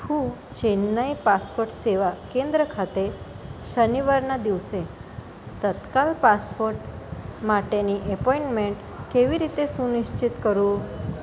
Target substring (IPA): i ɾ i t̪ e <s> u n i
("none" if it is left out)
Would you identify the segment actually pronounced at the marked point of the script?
s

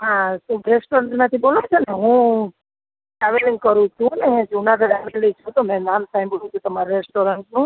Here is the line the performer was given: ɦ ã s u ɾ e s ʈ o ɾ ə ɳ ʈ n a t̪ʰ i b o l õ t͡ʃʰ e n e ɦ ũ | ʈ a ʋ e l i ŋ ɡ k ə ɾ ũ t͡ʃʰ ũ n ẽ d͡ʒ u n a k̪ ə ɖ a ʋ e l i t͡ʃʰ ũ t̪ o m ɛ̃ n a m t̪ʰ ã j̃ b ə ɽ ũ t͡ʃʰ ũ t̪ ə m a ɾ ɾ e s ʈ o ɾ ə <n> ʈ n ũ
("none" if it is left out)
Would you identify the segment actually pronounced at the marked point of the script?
ɳ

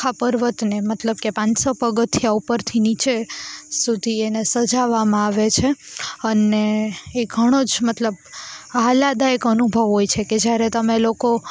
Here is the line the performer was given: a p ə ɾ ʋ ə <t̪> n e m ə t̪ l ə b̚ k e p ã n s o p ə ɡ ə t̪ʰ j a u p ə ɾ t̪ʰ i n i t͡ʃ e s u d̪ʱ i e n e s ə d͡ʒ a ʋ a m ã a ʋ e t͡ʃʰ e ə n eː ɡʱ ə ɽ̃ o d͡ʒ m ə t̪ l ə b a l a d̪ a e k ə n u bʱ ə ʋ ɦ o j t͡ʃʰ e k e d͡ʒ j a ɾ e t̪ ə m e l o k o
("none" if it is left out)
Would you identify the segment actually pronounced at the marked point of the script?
t̪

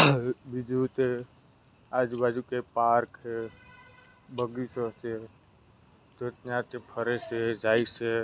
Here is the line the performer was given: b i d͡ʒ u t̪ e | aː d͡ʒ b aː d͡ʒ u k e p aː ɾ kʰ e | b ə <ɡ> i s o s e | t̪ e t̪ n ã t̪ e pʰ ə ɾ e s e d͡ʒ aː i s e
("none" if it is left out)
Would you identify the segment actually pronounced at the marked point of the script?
ɡ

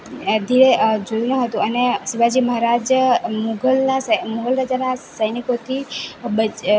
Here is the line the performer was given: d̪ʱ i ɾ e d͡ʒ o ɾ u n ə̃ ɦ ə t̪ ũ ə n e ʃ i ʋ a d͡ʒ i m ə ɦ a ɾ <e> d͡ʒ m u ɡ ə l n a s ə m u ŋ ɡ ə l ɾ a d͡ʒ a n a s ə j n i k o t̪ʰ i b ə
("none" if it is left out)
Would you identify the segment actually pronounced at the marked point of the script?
a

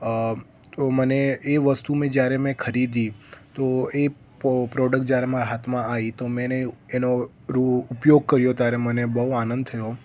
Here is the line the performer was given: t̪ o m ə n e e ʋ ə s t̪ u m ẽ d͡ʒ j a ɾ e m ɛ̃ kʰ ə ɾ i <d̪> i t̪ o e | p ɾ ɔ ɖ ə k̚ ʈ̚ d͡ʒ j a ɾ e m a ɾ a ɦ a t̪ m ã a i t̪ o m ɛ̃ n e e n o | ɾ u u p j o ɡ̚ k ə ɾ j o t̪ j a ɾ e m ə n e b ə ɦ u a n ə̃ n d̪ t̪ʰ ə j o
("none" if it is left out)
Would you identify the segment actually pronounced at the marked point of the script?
d̪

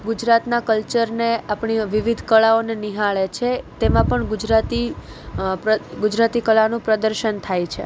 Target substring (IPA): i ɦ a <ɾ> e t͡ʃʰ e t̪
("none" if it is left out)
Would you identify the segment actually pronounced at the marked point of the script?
ɭ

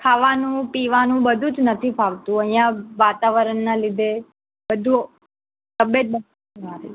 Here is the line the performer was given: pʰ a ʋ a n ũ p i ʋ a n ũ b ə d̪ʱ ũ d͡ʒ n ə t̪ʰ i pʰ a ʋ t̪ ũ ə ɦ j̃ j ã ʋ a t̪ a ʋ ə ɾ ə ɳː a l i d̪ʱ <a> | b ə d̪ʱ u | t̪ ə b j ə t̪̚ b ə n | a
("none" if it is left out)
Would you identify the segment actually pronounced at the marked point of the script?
e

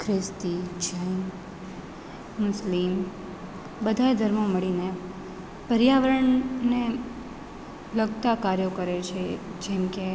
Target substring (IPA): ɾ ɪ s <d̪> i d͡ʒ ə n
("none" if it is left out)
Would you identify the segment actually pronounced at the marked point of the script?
t̪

